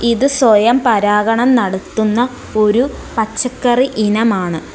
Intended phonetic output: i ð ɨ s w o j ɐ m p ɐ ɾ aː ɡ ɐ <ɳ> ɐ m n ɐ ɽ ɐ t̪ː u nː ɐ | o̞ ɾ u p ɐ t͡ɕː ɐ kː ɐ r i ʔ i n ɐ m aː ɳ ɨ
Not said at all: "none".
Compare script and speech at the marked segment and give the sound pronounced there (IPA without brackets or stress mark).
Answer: ɳ